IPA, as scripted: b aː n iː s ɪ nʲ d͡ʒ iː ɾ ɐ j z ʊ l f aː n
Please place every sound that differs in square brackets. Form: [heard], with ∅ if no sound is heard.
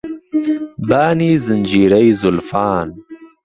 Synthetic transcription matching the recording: b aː n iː [z] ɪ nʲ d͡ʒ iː ɾ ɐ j z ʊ l f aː n

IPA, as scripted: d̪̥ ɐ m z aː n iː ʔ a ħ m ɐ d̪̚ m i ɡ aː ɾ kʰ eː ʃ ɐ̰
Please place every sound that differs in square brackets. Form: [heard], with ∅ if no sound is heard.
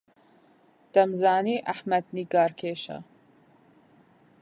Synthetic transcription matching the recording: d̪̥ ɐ m z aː n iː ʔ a ħ m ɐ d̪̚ [n] i ɡ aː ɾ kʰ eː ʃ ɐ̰

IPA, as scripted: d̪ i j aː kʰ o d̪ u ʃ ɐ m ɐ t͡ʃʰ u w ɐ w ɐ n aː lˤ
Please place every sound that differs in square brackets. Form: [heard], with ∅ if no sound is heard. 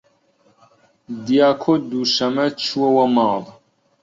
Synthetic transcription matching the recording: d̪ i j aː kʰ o d̪ u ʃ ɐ m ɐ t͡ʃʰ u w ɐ w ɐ [m] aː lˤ

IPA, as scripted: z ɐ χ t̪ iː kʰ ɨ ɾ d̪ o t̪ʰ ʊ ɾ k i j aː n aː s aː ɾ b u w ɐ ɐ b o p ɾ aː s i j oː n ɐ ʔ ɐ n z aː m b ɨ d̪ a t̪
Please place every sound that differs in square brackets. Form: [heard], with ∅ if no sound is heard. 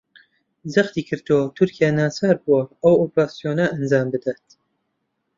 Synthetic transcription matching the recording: z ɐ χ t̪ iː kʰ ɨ ɾ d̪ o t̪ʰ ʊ ɾ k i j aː n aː s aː ɾ b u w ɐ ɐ [w] o p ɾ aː s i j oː n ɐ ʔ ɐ n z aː m b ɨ d̪ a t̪

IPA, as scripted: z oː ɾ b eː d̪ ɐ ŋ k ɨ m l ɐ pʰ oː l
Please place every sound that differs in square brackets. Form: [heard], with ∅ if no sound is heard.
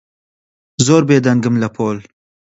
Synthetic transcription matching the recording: z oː ɾ b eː d̪ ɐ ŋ [ɡ] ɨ m l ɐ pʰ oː l

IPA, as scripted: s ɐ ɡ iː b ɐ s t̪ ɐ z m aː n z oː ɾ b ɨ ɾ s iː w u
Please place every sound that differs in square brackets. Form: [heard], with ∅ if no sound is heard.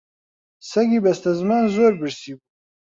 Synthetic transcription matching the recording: s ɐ ɡ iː b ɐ s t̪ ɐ z m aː n z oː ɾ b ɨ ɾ s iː [b] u

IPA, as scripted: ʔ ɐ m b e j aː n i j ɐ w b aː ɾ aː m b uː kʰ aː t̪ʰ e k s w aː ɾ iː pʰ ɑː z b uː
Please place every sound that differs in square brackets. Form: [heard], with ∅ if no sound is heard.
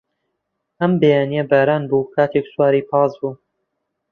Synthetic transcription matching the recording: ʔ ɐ m b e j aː n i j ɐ [∅] b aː ɾ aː [n] b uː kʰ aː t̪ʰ e k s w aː ɾ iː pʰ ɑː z b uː

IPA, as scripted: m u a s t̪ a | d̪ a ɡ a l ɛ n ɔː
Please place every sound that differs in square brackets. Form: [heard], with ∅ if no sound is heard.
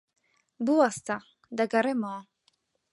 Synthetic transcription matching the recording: [b] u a s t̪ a | d̪ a ɡ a [ɾ] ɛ [m] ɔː

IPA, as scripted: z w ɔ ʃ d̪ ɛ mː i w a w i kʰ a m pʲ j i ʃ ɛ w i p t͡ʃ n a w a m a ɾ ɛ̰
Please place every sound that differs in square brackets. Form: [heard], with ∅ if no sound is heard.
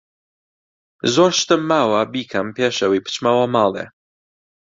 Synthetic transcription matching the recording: z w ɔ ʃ [t̪] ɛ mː [a] w a [b] i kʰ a m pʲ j [ɛ] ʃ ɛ w i p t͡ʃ [m] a w a m a [l] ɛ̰

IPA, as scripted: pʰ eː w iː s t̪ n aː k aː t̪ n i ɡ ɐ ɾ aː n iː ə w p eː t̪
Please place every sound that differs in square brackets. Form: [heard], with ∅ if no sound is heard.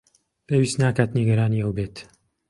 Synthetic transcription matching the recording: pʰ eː w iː s t̪ n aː k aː t̪ n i ɡ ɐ ɾ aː n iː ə w [b] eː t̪

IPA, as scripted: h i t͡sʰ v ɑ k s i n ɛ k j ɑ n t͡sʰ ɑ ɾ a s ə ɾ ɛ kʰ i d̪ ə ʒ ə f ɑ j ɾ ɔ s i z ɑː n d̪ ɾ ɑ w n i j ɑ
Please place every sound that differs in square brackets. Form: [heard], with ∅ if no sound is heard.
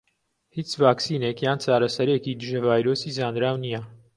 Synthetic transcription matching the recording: h i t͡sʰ v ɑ k s i n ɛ k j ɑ n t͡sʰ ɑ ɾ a s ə ɾ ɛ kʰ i d̪ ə ʒ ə [v] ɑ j ɾ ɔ s i z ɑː n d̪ ɾ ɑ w n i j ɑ

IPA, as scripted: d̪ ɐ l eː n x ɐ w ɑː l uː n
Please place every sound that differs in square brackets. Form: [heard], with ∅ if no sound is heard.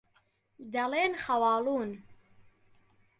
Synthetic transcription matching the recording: d̪ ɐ l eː n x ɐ w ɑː l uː n

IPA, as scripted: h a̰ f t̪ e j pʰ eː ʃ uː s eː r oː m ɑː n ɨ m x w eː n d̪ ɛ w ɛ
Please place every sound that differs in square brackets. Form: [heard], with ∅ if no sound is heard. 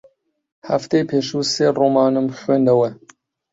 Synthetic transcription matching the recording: h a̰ f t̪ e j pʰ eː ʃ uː s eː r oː m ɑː n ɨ m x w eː n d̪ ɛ w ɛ

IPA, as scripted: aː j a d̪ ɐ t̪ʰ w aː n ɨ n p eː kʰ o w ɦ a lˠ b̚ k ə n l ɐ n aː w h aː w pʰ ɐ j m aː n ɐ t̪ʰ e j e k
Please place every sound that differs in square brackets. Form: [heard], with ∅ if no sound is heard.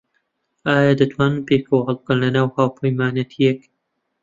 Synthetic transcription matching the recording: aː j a d̪ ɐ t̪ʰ w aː n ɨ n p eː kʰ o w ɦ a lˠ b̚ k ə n l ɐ n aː w h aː w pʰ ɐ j m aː n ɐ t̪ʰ [i] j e k

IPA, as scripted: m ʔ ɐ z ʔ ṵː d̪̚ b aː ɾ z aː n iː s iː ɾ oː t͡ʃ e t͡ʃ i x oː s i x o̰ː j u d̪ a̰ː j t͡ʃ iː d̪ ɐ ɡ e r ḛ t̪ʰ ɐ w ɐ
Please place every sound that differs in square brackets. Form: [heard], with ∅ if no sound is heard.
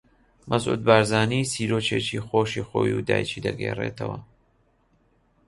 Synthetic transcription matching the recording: m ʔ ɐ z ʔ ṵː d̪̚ b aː ɾ z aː n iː s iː ɾ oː t͡ʃ e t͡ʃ i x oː [ʃ] i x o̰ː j u d̪ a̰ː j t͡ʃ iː d̪ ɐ ɡ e r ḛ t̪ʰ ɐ w ɐ

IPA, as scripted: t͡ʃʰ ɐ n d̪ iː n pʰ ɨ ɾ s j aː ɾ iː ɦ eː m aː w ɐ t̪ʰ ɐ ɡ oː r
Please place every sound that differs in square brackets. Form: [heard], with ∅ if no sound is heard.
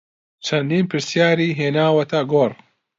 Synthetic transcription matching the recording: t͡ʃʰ ɐ n d̪ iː n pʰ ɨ ɾ s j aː ɾ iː ɦ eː [n] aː w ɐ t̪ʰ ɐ ɡ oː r

